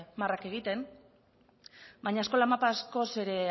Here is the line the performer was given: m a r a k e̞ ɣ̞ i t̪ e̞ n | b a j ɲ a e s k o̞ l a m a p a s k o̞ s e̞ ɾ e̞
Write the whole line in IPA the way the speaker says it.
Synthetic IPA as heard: m a r a k e̞ ɣ̞ i t̪ e̞ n | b a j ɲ a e s k o̞ l a m a p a s k o̞ s e̞ ɾ e̞